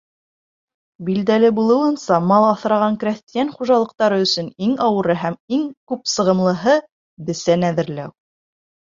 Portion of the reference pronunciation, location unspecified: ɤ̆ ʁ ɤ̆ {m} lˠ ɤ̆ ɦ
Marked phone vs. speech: correct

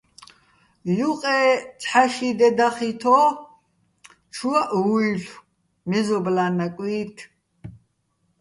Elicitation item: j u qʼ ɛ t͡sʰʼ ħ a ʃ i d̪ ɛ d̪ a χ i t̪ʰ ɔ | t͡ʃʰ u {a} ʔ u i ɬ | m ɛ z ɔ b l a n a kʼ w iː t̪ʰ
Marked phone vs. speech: correct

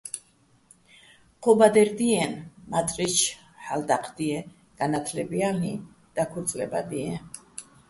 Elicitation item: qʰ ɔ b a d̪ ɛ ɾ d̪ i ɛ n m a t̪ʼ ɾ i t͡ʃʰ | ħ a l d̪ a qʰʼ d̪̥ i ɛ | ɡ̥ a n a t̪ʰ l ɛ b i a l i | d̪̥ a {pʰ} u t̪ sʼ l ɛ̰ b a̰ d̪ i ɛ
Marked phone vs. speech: incorrect: kʰ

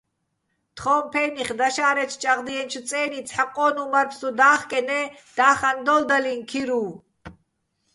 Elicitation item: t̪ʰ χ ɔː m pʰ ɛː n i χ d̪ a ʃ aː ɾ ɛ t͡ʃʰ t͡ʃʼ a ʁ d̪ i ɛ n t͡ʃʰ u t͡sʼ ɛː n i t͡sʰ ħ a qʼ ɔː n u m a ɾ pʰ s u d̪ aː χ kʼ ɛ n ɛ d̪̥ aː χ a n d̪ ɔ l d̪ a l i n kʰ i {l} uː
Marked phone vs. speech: incorrect: ɾ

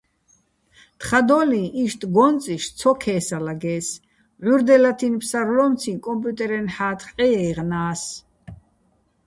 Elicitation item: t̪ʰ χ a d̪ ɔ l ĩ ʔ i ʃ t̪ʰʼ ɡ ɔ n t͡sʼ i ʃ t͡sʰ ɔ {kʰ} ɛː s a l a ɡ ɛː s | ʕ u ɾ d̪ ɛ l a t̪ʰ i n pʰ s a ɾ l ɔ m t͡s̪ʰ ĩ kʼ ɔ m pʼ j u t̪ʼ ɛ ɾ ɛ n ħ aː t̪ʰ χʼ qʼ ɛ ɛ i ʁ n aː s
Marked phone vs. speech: correct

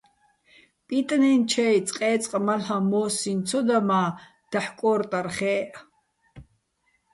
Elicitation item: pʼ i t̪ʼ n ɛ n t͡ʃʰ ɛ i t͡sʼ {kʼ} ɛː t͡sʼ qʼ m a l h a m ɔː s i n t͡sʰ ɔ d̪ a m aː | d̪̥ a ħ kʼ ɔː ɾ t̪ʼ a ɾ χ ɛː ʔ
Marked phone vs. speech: incorrect: qʼ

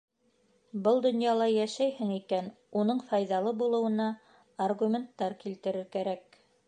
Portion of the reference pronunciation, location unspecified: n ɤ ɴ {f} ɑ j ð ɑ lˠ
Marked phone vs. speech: correct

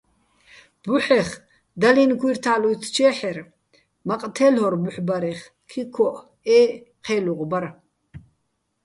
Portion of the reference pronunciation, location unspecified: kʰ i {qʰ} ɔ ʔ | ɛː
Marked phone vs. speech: incorrect: kʰ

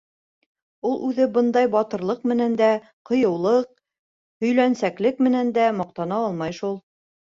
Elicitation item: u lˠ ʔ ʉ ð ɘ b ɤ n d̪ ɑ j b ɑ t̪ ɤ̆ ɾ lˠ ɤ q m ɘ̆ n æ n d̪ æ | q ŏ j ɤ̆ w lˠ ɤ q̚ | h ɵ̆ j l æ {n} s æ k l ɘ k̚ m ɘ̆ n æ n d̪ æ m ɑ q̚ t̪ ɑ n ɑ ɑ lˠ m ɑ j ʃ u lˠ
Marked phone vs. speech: correct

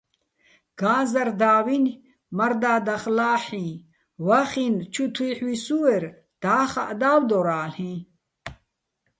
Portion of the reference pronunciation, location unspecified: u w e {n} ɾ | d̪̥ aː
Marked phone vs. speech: incorrect: none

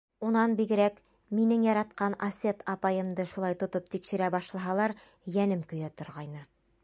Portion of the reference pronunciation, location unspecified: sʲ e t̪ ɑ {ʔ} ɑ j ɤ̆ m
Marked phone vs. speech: incorrect: p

